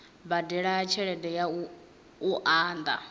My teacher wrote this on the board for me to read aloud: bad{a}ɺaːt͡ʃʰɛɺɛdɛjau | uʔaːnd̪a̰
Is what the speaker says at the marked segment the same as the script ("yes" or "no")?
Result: no